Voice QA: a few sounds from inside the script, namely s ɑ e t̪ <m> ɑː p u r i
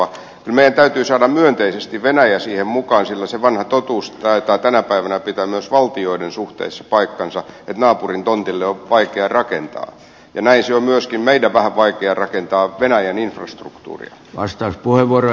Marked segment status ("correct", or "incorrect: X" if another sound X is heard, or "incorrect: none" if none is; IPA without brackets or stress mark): incorrect: n